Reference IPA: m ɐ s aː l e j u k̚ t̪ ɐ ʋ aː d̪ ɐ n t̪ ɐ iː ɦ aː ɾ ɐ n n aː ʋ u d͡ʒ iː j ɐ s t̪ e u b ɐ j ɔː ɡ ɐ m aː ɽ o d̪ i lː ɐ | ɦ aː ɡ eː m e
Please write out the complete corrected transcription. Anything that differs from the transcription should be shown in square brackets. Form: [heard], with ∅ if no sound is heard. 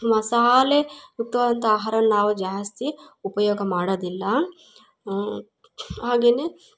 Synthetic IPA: m ɐ s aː l e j u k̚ t̪ ɐ ʋ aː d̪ ɐ n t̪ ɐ [aː] ɦ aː ɾ ɐ n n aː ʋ u d͡ʒ [aː] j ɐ s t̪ [i] u [p] ɐ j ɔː ɡ ɐ m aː ɽ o d̪ i lː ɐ | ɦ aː ɡ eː [n] e

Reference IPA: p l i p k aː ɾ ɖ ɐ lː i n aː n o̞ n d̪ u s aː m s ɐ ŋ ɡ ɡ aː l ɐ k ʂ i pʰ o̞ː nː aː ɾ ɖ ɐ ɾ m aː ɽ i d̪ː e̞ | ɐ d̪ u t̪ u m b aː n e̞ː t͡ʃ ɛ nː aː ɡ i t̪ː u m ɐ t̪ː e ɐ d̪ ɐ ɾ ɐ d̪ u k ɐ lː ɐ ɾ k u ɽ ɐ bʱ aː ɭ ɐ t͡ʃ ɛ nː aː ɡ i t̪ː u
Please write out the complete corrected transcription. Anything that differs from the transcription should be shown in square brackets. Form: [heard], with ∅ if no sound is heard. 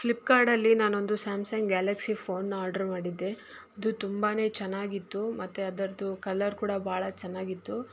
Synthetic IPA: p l i p k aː ɾ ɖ ɐ lː i n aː n o̞ n d̪ u s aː m s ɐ ŋ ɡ ɡ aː l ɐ k [s] i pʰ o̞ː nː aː ɾ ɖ ɐ ɾ m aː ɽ i d̪ː e̞ | ɐ d̪ u t̪ u m b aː n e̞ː t͡ʃ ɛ nː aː ɡ i t̪ː u m ɐ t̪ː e ɐ d̪ ɐ ɾ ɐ d̪ u k ɐ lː ɐ ɾ k [uː] ɽ ɐ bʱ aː ɭ ɐ t͡ʃ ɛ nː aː ɡ i t̪ː u

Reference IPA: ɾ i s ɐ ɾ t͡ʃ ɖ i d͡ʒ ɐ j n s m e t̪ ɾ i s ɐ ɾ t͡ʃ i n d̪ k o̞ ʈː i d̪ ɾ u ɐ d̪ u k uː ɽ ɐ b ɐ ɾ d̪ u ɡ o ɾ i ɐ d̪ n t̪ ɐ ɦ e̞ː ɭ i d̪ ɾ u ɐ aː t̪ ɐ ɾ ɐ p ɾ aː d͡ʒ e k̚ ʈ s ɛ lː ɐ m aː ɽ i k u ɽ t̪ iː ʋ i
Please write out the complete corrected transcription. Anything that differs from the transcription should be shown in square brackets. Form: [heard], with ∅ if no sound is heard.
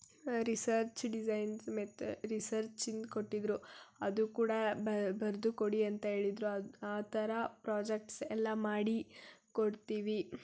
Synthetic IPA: ɾ i s ɐ ɾ t͡ʃ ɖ i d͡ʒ ɐ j n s m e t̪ ɾ i s ɐ ɾ t͡ʃ i n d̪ k o̞ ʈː i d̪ ɾ u ɐ d̪ u k uː ɽ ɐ b ɐ ɾ d̪ u [k] o [ɽ] i ɐ [∅] n t̪ ɐ ɦ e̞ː ɭ i d̪ ɾ u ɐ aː t̪ ɐ ɾ ɐ p ɾ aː d͡ʒ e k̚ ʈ s ɛ lː ɐ m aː ɽ i k [o] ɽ t̪ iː ʋ i

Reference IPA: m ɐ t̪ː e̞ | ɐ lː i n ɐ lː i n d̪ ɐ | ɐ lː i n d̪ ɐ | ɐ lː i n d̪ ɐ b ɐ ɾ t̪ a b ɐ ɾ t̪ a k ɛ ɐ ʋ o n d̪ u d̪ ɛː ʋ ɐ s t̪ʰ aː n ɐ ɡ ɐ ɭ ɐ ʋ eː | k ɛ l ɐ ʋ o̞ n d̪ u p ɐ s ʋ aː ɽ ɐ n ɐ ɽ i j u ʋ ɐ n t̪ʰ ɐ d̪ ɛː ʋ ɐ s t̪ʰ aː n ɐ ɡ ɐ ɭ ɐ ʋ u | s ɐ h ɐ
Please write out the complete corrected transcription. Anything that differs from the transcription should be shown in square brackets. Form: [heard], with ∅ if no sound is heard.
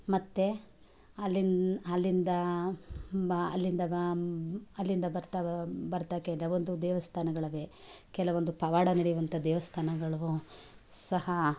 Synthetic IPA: m ɐ t̪ː e̞ | ɐ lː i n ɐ lː i n d̪ ɐ | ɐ lː i n d̪ ɐ | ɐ lː i n d̪ ɐ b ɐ ɾ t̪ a b ɐ ɾ t̪ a k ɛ ɐ ʋ o n d̪ u d̪ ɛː ʋ ɐ s t̪ʰ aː n ɐ ɡ ɐ ɭ ɐ ʋ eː | k ɛ l ɐ ʋ o̞ n d̪ u p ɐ [∅] ʋ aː ɽ ɐ n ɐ ɽ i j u ʋ ɐ n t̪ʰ ɐ d̪ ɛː ʋ ɐ s t̪ʰ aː n ɐ ɡ ɐ ɭ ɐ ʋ u | s ɐ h ɐ

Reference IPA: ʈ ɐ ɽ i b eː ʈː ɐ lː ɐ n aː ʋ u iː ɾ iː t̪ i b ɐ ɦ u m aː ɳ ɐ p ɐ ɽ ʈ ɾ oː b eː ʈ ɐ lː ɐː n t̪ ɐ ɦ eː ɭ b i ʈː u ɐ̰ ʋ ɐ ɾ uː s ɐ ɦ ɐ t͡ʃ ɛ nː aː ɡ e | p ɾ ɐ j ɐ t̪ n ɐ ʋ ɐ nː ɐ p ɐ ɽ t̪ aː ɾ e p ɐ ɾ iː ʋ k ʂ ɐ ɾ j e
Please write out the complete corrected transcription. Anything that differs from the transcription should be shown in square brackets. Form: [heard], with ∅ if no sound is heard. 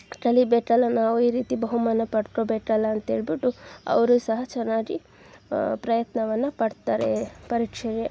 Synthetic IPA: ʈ ɐ [l] i b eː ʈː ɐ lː ɐ n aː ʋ u iː ɾ iː t̪ i b ɐ ɦ u m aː [n] ɐ p ɐ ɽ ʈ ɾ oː b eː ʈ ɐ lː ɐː n t̪ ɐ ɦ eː ɭ b i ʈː u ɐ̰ ʋ ɐ ɾ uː s ɐ ɦ ɐ t͡ʃ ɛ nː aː ɡ [i] | p ɾ ɐ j ɐ t̪ n ɐ ʋ ɐ nː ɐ p ɐ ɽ t̪ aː ɾ e p ɐ ɾ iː [∅] k ʂ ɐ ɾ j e

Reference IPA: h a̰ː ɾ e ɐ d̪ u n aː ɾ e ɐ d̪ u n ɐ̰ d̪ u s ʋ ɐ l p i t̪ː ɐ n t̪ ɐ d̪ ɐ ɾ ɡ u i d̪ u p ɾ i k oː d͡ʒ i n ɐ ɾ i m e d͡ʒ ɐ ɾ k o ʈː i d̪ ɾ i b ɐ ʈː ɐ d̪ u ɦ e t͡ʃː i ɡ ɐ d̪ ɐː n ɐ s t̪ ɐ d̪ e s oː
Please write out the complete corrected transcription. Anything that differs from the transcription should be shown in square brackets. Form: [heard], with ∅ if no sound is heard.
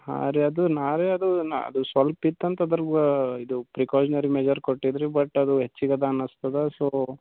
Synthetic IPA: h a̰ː ɾ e ɐ d̪ u n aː ɾ e ɐ d̪ u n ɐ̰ d̪ u s ʋ ɐ l p i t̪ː ɐ n t̪ ɐ d̪ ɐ ɾ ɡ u i d̪ u p ɾ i k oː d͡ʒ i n ɐ ɾ i m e d͡ʒ ɐ ɾ k o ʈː i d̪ ɾ i b ɐ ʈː ɐ d̪ u ɦ e t͡ʃː i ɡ ɐ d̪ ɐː n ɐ s t̪ ɐ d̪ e s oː

